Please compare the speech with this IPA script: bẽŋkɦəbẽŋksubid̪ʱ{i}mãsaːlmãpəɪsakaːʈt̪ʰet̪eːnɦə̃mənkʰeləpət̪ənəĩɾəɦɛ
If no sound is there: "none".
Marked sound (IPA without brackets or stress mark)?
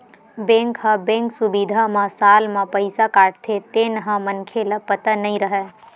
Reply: a